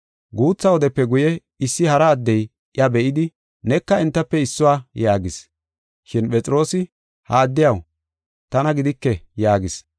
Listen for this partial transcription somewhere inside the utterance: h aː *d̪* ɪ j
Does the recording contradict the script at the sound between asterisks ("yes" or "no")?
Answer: yes